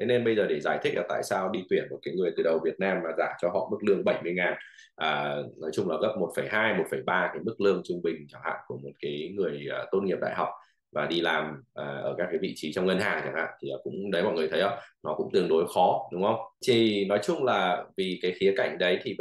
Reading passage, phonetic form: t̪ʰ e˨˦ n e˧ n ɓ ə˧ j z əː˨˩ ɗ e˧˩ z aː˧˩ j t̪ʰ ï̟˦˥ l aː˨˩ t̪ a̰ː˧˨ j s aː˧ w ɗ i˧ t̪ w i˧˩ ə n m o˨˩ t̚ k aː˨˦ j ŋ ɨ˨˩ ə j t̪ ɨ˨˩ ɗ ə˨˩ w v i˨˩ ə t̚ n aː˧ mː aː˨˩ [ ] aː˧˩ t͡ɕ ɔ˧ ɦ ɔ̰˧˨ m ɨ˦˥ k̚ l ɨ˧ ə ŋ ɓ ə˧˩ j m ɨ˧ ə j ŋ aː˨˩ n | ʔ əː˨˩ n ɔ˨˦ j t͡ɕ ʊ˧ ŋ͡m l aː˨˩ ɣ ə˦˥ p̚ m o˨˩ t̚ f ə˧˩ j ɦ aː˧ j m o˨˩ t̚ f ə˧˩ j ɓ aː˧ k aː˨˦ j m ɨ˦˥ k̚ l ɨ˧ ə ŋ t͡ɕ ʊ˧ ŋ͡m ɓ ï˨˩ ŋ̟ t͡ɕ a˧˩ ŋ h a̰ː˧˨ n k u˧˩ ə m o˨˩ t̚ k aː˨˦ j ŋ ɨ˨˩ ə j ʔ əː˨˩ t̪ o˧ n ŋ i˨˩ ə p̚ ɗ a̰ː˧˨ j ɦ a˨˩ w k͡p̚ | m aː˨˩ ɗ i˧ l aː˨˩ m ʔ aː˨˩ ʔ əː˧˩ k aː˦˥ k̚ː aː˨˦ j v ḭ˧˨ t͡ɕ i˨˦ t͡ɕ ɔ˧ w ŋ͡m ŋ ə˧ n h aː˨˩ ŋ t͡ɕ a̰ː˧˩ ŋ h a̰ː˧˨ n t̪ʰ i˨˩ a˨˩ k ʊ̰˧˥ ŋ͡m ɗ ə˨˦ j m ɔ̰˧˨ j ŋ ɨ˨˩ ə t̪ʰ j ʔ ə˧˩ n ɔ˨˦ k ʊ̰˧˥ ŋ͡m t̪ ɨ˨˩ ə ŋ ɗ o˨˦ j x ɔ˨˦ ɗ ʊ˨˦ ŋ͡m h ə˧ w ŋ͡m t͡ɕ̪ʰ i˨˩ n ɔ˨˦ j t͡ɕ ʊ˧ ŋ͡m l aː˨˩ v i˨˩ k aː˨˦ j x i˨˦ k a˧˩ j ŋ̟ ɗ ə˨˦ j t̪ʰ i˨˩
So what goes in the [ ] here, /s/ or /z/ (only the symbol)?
z